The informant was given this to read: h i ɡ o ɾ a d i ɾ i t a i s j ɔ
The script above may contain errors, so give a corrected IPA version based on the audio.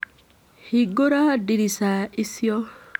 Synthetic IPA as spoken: h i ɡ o ɾ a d i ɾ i s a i s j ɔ